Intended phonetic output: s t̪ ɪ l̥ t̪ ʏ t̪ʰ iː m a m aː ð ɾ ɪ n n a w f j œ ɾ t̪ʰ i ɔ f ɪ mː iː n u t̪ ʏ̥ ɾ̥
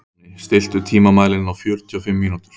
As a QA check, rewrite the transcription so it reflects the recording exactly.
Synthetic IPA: s t̪ ɪ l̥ t̪ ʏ t̪ʰ iː m a m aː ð l ɪ n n a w f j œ ɾ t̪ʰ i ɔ f ɪ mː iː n u t̪ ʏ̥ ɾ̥